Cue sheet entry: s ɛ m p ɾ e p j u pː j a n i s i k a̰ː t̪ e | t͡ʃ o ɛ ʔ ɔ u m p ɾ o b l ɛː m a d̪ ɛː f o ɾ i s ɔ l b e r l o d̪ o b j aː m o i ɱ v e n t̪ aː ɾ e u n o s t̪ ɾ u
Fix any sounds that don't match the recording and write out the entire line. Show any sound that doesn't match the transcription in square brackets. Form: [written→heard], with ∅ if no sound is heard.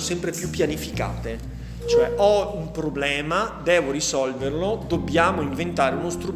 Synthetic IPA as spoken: s ɛ m p ɾ e p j u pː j a n i [s→f] i k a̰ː t̪ e | t͡ʃ o ɛ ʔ ɔ u m p ɾ o b l ɛː m a d̪ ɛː [f→v] o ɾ i s ɔ l [b→v] e r l o d̪ o b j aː m o i ɱ v e n t̪ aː ɾ e u n o s t̪ ɾ u